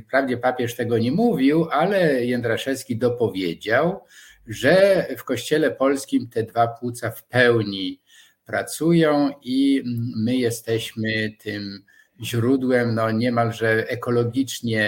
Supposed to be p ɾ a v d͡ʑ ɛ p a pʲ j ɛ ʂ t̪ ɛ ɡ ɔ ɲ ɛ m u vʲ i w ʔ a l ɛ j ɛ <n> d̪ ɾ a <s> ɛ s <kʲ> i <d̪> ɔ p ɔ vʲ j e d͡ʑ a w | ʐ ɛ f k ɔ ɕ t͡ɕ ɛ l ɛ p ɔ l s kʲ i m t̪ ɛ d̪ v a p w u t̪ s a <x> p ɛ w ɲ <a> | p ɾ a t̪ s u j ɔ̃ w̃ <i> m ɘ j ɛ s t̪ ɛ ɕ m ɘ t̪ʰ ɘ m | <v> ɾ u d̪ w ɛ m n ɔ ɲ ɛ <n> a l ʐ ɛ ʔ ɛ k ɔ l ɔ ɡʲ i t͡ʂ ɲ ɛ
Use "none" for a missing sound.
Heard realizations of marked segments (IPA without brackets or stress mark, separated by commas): n, ʂ, kʲ, d̪, f, i, i, ʑ, m